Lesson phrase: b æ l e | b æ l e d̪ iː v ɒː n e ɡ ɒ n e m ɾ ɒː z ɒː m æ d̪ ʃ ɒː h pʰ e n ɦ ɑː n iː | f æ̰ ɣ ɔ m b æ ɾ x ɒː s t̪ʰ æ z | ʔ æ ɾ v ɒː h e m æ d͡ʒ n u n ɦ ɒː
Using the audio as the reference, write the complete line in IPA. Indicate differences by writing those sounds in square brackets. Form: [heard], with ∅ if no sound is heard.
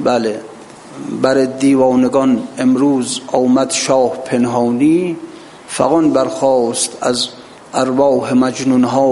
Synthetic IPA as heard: b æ l e | b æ [ɾ] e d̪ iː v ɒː n e ɡ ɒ n e m ɾ [uː] z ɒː m æ d̪ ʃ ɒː h pʰ e n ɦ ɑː n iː | f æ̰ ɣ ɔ [n] b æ ɾ x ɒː s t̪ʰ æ z | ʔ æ ɾ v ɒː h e m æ d͡ʒ n u n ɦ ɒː